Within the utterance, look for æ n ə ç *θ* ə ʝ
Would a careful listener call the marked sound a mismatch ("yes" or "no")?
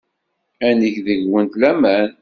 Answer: yes